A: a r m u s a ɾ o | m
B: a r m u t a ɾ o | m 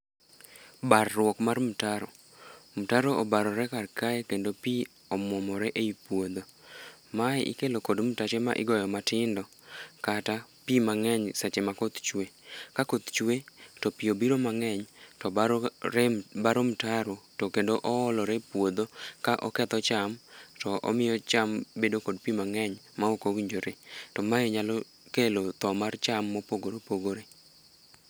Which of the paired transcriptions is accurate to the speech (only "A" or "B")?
B